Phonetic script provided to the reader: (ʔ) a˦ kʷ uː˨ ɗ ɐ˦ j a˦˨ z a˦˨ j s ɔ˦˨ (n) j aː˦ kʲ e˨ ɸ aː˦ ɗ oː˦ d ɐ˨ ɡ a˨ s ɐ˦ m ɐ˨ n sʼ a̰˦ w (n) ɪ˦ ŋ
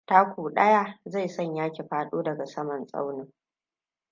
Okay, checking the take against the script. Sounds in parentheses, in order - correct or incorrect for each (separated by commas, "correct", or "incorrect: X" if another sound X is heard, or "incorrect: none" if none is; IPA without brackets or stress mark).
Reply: incorrect: t, incorrect: ɲ, correct